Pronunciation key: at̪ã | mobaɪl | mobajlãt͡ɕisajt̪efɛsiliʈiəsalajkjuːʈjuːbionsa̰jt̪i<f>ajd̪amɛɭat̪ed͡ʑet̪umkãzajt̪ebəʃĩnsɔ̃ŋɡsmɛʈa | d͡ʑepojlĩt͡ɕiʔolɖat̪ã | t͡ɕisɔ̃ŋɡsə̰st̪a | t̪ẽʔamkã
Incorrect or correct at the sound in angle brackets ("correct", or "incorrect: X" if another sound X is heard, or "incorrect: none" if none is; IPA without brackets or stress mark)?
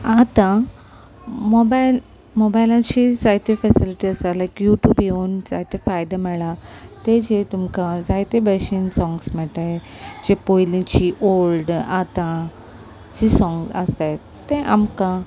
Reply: correct